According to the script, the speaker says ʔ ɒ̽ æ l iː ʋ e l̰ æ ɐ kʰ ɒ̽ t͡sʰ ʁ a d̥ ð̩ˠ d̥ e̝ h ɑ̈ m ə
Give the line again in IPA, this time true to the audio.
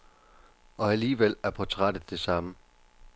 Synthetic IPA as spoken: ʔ ɒ̽ æ l iː ʋ e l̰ æ ɐ pʰ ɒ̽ t͡sʰ ʁ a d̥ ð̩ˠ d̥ e̝ s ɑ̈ m ə